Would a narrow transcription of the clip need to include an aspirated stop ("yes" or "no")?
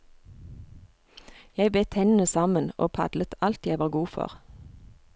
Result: yes